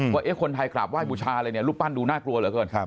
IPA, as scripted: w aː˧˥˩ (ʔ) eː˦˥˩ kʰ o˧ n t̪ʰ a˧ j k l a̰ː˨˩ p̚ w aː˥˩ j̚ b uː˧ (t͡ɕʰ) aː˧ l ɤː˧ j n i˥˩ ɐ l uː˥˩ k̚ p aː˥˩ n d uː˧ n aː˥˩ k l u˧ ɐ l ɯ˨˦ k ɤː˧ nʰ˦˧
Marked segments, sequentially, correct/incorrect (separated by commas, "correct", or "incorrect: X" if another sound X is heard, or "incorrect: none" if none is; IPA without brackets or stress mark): correct, correct